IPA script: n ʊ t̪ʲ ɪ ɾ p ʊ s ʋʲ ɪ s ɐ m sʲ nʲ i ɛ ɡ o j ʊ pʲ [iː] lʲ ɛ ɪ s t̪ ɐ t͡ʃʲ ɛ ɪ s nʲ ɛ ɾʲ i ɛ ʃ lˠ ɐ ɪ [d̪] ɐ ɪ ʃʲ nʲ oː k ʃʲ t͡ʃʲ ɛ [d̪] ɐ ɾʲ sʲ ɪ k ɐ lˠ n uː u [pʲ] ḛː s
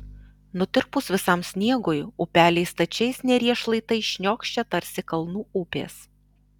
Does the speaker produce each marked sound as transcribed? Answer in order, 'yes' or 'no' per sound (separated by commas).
no, no, no, yes